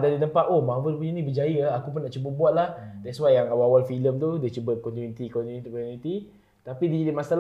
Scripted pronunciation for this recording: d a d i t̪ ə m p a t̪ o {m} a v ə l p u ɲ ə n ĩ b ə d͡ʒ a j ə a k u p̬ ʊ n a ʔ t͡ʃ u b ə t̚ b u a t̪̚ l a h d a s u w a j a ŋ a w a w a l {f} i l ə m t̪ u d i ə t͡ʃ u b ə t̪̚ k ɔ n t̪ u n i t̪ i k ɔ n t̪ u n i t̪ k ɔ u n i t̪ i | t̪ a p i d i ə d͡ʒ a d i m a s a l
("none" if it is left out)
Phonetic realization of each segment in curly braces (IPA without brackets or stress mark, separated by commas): m, f